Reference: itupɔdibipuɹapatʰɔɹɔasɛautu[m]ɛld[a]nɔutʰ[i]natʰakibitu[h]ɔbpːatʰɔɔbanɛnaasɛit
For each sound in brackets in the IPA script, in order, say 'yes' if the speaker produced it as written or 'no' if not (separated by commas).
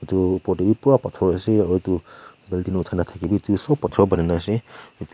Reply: no, no, no, no